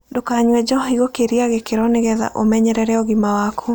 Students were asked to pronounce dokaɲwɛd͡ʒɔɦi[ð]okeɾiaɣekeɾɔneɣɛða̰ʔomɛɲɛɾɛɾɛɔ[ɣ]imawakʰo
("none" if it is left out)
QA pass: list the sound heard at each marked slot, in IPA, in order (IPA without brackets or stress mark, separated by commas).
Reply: ɣ, ɣ